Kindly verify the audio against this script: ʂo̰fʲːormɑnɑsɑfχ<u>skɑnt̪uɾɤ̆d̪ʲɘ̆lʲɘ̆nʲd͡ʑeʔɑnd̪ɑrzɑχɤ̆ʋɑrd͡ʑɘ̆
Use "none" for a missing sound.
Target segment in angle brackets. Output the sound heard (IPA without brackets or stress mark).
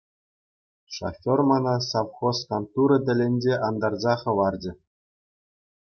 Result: o